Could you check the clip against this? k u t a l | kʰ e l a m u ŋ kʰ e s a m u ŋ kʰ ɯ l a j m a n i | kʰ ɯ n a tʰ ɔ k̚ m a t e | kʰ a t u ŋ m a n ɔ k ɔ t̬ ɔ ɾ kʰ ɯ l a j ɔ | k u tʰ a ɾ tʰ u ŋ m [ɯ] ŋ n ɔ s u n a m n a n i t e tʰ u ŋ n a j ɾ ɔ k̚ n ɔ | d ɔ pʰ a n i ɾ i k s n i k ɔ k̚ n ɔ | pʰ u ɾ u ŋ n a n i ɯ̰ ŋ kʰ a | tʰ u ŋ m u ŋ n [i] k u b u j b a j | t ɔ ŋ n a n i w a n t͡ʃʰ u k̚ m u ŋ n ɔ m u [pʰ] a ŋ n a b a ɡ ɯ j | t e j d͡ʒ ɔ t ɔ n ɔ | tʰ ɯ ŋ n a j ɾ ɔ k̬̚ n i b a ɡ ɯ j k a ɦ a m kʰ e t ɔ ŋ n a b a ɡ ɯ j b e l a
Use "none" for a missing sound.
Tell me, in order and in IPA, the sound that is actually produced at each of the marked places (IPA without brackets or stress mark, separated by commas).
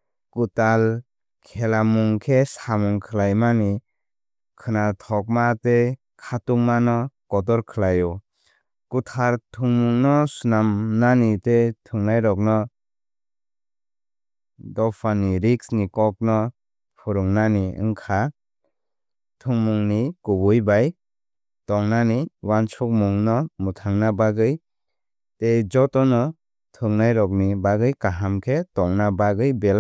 u, i, tʰ